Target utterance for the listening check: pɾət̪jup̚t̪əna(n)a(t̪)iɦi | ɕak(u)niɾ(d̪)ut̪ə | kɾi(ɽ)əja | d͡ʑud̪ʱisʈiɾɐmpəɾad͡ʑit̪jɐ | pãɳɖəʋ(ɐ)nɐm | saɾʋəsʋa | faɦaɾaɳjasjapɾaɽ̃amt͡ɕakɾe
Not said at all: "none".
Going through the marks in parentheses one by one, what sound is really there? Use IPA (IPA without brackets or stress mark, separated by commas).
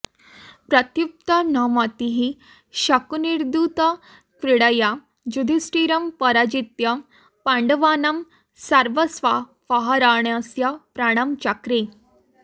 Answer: m, t̪, u, d̪, ɽ, a